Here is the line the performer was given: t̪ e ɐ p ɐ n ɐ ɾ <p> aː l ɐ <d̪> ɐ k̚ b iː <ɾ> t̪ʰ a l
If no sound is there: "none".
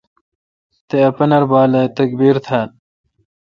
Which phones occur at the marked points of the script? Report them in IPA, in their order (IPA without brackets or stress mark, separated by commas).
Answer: b, t̪, ɾ